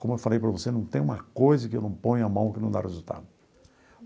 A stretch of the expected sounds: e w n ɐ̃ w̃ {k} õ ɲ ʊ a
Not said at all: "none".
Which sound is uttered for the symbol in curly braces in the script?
p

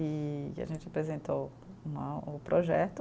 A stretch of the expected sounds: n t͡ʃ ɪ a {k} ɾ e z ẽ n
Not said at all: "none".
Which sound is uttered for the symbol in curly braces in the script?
p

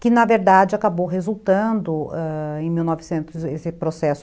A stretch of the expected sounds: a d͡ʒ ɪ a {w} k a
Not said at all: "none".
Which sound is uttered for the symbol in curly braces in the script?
none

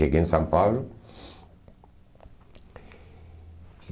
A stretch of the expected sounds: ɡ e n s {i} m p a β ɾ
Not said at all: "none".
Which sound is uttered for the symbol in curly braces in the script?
a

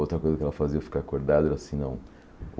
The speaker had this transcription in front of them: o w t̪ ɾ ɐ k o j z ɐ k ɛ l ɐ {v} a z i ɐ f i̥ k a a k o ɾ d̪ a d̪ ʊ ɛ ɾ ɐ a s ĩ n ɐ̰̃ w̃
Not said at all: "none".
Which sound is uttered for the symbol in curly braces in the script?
f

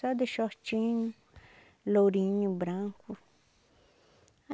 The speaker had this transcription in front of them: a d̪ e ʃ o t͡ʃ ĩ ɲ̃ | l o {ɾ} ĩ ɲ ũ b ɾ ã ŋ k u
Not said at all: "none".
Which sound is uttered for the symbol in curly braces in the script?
ɾ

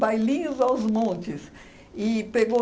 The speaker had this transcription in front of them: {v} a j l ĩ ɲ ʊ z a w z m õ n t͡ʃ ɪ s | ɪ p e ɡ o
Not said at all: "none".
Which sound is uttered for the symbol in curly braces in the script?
b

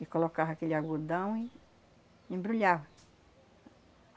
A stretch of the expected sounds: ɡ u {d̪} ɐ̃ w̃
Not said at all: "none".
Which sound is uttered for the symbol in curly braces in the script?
d̪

